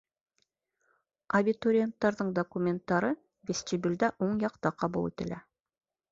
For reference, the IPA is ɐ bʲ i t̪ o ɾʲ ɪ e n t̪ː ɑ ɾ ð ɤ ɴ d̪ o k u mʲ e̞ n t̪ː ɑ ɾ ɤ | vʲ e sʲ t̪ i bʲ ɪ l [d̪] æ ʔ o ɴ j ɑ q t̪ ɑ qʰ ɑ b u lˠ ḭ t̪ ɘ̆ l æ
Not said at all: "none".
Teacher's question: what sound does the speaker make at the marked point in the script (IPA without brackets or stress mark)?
d̪